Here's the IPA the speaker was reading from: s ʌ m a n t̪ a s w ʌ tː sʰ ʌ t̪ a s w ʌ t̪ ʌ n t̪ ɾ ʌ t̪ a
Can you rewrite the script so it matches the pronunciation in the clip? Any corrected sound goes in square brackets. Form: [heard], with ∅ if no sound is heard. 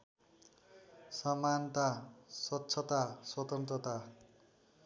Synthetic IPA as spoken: s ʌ m a n t̪ a s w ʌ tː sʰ ʌ t̪ a s w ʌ t̪ ʌ n t̪ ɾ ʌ t̪ a